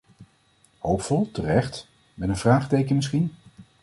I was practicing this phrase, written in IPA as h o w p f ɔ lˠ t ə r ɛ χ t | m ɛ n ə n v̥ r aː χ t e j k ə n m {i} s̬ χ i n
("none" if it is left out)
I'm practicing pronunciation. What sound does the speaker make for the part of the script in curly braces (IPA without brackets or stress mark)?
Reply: ɪ